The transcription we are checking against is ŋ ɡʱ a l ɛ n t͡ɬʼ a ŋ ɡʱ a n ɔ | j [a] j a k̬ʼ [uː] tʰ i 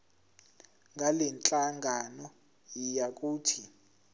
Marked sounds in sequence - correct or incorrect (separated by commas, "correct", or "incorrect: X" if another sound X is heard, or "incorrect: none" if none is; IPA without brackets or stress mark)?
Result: incorrect: i, correct